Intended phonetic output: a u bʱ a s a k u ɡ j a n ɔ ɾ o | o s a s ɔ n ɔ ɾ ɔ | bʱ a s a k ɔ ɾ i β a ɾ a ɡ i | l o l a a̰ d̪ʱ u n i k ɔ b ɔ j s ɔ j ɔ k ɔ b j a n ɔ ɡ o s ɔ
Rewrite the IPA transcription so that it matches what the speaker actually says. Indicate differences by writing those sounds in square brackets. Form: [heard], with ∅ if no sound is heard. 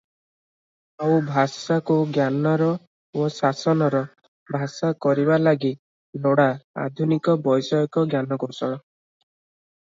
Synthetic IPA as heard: a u bʱ a s a k u ɡ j a n ɔ ɾ [ɔ] | o s a s ɔ n ɔ ɾ ɔ | bʱ a s a k ɔ ɾ i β a [l] a ɡ i | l o [ɽ] a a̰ d̪ʱ u n i k ɔ b ɔ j s ɔ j ɔ k ɔ [ɡ] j a n ɔ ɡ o s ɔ